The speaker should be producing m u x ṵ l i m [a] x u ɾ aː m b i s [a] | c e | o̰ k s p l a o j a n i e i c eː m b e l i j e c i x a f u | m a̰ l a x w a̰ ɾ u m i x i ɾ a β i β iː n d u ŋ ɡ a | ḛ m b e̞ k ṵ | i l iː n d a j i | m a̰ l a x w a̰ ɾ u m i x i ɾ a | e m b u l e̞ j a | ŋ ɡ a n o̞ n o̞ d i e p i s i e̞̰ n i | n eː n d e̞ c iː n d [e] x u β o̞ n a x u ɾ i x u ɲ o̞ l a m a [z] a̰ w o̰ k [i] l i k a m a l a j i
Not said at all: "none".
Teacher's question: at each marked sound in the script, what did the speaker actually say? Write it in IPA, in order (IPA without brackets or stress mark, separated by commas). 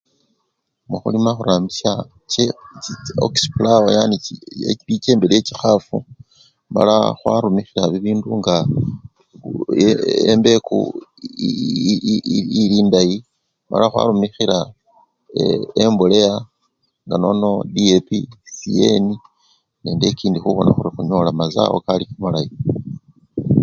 a, a, i, z, a